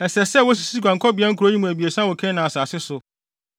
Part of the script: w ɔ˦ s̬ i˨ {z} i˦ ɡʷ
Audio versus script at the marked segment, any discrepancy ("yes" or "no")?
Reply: yes